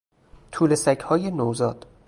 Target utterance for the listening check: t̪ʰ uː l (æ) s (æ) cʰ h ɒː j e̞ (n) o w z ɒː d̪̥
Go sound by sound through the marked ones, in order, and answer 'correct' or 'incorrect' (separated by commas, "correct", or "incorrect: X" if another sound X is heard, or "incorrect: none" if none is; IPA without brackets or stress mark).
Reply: incorrect: e, correct, correct